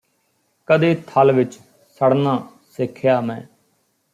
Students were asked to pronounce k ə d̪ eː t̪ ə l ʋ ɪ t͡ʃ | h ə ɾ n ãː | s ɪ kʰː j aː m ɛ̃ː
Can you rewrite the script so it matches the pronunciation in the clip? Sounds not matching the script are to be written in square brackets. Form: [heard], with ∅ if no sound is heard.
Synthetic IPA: k ə d̪ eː [t̪ʰ] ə l ʋ ɪ t͡ʃ | [s] ə [ɽ] n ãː | s ɪ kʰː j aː m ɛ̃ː